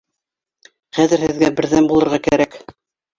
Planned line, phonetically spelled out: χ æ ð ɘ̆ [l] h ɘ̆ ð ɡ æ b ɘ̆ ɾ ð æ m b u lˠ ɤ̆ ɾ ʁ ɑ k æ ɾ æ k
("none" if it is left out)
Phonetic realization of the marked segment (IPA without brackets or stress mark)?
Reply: ɾ